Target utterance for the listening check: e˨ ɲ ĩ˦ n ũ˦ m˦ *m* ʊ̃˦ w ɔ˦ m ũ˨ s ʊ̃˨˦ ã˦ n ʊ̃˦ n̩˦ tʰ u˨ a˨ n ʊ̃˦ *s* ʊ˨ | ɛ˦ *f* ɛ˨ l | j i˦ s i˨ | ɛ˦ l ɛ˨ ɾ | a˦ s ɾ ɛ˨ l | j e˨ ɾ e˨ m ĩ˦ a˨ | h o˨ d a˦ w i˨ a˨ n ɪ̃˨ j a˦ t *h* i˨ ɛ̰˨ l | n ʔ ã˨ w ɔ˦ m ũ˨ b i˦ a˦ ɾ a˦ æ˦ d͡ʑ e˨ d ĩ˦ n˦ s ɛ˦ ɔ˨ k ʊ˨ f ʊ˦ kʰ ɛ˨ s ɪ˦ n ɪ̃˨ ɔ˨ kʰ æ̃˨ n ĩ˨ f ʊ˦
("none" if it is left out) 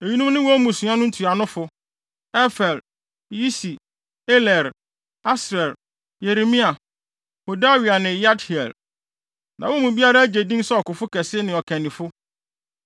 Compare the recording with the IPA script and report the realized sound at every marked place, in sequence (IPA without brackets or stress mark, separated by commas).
n, f, f, h